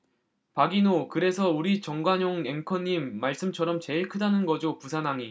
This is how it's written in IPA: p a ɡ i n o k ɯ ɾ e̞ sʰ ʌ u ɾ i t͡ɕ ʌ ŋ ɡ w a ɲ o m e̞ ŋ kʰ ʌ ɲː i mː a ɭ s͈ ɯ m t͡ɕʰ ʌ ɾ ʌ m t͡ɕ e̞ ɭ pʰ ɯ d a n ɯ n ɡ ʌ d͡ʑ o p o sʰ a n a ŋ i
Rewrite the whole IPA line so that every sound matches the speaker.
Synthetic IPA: p a ɡ i n o k ɯ ɾ e̞ sʰ ʌ u ɾ i t͡ɕ ʌ ŋ ɡ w a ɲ o ŋ e̞ ŋ kʰ ʌ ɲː i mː a ɭ s͈ ɯ m t͡ɕʰ ʌ ɾ ʌ m t͡ɕ e̞ ɭ kʰ ɯ d a n ɯ n ɡ ʌ d͡ʑ o p u sʰ a n a ŋ i